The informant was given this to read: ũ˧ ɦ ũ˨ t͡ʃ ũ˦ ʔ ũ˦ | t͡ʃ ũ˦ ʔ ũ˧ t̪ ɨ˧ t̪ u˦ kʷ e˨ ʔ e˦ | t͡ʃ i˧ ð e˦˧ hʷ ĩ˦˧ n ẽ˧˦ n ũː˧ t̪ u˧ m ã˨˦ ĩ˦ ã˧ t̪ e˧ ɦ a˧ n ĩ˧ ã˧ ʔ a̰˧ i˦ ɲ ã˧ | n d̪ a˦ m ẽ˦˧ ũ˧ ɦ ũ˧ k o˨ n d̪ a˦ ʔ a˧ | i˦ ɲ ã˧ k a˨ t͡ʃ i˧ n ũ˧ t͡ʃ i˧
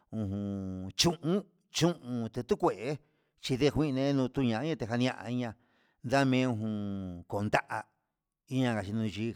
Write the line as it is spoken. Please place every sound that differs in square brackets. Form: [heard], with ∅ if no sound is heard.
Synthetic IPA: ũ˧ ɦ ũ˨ t͡ʃ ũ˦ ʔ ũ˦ | t͡ʃ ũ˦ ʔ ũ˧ t̪ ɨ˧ t̪ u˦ kʷ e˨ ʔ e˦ | t͡ʃ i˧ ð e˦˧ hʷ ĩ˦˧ n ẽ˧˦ n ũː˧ t̪ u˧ [ɲ] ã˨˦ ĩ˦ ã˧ t̪ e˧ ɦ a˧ n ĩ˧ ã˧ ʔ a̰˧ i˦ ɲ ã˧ | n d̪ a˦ m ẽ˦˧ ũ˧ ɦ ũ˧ k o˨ n d̪ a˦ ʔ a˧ | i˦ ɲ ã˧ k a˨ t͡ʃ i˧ n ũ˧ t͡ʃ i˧